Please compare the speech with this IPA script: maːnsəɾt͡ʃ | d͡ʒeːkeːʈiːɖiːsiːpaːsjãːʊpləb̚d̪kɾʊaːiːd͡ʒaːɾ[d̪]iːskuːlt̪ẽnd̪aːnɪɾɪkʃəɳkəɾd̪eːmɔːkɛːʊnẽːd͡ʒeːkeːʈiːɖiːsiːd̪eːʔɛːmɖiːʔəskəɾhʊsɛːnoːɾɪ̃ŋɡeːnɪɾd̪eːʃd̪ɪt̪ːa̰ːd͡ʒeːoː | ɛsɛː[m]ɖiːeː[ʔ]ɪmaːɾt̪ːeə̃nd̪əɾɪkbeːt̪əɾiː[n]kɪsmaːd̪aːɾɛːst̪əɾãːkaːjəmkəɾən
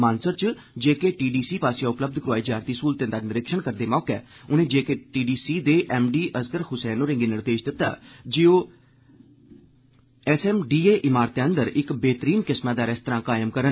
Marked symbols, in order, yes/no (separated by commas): no, yes, yes, yes